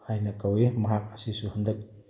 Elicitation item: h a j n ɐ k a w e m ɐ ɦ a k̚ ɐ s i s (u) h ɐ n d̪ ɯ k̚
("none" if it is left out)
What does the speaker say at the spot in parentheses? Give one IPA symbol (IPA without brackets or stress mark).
u